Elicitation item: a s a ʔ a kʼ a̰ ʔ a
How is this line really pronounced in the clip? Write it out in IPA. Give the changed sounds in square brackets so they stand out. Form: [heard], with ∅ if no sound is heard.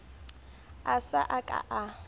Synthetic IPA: a s a ʔ a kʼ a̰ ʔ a